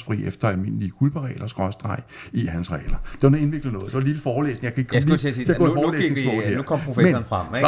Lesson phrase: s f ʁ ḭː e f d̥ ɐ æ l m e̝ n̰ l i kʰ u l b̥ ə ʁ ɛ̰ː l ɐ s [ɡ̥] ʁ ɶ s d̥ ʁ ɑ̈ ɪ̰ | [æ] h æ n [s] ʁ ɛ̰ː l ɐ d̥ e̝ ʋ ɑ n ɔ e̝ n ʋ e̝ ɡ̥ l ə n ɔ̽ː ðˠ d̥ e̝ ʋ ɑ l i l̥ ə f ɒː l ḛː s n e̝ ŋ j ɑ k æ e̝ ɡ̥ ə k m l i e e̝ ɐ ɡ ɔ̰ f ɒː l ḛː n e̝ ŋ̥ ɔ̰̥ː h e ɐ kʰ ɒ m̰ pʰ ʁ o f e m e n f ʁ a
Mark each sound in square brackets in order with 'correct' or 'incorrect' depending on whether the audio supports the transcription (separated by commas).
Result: correct, incorrect, correct